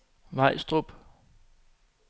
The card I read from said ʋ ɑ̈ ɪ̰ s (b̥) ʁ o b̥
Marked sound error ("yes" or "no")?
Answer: yes